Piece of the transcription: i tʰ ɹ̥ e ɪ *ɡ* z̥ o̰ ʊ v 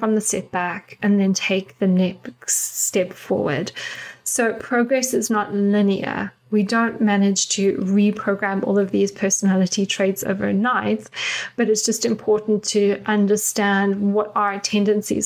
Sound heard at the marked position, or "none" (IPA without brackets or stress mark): d